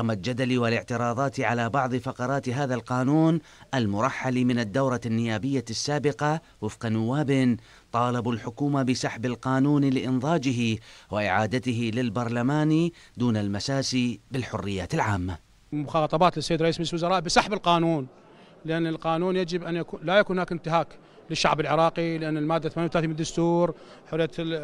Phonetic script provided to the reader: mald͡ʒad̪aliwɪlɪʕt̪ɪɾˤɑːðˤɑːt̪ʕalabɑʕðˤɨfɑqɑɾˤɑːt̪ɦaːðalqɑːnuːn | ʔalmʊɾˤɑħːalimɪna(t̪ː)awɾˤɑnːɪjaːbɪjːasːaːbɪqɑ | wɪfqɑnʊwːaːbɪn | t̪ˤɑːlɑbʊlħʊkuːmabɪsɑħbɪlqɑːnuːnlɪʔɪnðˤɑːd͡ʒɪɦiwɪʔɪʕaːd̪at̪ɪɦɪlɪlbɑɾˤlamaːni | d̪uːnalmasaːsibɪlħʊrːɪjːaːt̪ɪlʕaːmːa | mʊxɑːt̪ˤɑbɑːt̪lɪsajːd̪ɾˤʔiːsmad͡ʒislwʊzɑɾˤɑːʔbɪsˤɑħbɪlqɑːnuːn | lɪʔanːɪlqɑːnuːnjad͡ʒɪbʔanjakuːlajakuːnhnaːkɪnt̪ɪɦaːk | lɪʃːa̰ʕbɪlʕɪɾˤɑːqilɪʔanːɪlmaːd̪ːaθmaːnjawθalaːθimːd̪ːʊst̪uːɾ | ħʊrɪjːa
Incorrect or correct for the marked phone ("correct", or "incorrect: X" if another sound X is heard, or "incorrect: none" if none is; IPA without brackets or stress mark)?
incorrect: d̪ː